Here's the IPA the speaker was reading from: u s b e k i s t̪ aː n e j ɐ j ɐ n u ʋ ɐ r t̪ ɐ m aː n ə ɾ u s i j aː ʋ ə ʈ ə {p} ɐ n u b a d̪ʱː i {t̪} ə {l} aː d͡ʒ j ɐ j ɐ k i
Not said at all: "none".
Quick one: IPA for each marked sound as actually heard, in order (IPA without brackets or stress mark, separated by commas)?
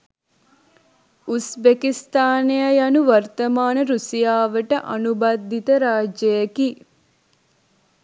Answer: ʔ, t̪, ɾ